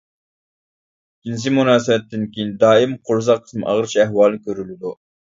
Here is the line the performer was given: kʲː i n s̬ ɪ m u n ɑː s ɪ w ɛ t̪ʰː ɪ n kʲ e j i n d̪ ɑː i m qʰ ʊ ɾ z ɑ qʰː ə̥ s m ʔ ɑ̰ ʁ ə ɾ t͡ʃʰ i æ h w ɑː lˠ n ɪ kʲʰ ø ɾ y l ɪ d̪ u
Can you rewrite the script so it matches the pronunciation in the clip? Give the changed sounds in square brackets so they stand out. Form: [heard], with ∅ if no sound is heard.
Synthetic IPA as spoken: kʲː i n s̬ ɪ m u n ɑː s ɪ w ɛ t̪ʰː ɪ n kʲ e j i n d̪ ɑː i m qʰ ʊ ɾ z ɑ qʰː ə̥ s m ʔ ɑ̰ ʁ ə ɾ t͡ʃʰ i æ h w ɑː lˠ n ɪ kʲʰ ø ɾ y l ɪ d̪ u

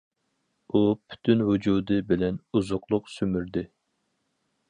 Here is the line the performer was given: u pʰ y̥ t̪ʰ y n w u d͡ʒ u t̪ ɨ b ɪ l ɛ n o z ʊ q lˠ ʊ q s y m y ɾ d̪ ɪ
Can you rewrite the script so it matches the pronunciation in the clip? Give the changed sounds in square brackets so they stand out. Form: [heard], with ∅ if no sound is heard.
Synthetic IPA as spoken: u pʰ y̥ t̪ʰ y n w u d͡ʒ u [d̪] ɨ b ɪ l ɛ n [u] z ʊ q lˠ ʊ q s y m y ɾ d̪ ɪ

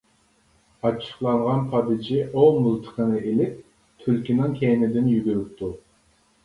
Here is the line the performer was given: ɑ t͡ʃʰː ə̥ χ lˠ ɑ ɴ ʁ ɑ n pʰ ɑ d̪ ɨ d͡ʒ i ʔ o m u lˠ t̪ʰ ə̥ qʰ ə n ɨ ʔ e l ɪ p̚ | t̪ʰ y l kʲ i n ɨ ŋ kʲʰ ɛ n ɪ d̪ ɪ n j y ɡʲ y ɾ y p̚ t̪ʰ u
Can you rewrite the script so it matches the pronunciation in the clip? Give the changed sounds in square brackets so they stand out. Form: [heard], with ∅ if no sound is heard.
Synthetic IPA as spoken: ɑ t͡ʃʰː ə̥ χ lˠ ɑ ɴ ʁ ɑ n pʰ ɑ d̪ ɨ d͡ʒ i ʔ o m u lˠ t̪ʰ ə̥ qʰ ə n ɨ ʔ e l ɪ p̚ | t̪ʰ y l kʲ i n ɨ ŋ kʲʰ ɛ n ɪ d̪ ɪ n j y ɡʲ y ɾ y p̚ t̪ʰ u

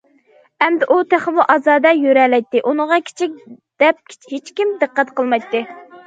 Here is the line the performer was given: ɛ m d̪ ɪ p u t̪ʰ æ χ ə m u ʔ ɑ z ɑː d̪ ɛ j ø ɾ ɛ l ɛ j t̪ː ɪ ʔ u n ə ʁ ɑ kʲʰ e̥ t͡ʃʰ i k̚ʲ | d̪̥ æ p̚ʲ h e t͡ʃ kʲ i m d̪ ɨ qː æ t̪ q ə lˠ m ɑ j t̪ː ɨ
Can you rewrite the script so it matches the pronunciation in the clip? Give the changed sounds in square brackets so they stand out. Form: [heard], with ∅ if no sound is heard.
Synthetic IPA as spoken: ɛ m d̪ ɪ [ʔ] u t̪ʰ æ χ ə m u ʔ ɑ z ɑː d̪ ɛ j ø ɾ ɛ l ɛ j t̪ː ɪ ʔ u n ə ʁ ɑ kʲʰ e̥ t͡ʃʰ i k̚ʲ | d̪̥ [ɛ] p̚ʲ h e t͡ʃ kʲ i m d̪ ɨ qː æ t̪ q ə lˠ m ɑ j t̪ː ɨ

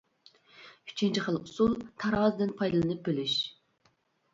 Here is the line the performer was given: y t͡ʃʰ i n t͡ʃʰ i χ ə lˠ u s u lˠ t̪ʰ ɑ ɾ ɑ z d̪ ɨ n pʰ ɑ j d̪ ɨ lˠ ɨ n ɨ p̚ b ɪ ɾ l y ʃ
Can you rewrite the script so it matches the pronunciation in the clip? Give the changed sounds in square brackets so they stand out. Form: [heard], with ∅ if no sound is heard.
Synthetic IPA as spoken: y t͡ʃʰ i n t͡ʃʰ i χ ə lˠ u s u lˠ t̪ʰ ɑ ɾ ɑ z d̪ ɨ n pʰ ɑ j d̪ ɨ lˠ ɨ n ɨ p̚ b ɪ [∅] l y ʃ

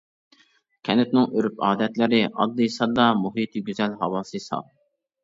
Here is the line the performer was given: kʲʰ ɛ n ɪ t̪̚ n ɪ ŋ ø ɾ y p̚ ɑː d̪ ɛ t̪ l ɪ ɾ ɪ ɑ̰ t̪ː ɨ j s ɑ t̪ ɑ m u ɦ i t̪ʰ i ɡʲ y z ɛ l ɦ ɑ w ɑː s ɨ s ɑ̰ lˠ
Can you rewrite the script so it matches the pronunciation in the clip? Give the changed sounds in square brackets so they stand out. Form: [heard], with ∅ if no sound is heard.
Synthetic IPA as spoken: kʲʰ ɛ n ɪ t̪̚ n ɪ ŋ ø ɾ y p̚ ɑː d̪ ɛ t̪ l ɪ ɾ ɪ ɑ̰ [d̪ː] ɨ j s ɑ [d̪] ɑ m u ɦ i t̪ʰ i ɡʲ y z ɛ l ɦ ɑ w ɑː s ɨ s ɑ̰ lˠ

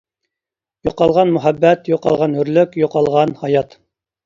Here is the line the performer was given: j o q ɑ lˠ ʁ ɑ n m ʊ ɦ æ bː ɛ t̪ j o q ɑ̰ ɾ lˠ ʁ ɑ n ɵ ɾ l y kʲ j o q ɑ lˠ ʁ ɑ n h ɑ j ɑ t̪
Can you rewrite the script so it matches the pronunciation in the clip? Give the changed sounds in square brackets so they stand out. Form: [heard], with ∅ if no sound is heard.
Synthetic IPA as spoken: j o q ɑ lˠ ʁ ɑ n m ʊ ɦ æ bː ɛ t̪ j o q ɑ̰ [∅] lˠ ʁ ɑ n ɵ ɾ l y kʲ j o q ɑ lˠ ʁ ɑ n h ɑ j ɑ t̪

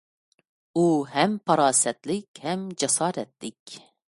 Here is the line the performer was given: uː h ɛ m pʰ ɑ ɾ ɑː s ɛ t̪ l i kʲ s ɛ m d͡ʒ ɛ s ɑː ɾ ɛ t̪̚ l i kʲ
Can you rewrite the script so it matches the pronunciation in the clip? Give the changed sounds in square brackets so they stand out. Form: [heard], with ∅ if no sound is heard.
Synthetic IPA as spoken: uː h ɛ m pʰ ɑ ɾ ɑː s ɛ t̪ l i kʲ [h] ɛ m d͡ʒ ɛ s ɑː ɾ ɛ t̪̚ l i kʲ

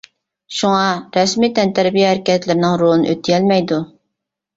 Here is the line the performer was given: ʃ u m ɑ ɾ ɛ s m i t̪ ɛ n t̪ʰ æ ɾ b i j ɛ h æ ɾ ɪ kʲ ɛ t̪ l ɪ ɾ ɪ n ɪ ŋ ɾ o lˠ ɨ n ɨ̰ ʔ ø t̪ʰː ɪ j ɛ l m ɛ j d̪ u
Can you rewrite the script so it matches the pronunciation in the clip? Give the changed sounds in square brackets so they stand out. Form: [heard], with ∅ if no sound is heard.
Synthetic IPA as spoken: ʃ u [ŋ] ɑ ɾ ɛ s m i t̪ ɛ n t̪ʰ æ ɾ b i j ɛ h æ ɾ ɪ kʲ ɛ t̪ l ɪ ɾ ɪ n ɪ ŋ ɾ o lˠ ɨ n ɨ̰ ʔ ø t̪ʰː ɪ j ɛ l m ɛ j d̪ u

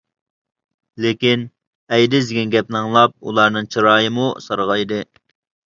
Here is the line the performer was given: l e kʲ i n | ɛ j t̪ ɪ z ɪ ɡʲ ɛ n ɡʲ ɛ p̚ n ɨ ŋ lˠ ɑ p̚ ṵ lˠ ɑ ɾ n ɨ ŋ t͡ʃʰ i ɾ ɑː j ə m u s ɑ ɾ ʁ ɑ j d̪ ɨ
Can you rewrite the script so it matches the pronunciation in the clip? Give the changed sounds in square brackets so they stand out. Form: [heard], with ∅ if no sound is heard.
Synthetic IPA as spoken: l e kʲ i n | ɛ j [d̪] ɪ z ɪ ɡʲ ɛ n ɡʲ ɛ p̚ n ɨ ŋ lˠ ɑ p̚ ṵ lˠ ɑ ɾ n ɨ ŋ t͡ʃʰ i ɾ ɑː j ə m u s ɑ ɾ ʁ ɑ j d̪ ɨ

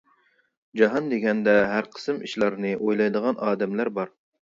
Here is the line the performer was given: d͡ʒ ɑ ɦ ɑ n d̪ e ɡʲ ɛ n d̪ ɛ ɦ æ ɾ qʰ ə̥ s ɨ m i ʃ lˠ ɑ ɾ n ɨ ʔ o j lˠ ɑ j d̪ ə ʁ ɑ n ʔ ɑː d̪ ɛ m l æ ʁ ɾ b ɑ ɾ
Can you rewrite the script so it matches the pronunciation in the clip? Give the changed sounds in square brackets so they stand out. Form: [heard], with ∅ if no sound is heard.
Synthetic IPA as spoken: d͡ʒ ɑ ɦ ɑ n d̪ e ɡʲ ɛ n d̪ ɛ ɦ æ ɾ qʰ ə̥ s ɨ m i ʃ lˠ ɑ ɾ n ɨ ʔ o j lˠ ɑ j d̪ ə ʁ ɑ n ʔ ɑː d̪ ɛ m l æ [∅] ɾ b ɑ ɾ

